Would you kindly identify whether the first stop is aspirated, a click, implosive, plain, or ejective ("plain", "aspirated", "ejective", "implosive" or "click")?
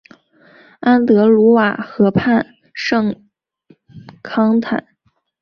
plain